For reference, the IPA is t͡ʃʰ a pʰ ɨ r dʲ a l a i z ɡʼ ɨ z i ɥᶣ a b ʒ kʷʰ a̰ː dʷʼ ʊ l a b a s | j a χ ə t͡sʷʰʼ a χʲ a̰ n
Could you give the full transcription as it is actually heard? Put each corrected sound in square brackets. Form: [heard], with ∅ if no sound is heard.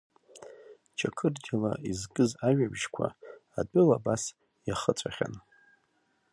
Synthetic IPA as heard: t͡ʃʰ a [kʰ] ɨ r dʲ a l a i z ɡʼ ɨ z [a] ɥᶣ a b ʒ kʷʰ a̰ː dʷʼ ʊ l a b a s | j a χ ə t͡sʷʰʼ a χʲ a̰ n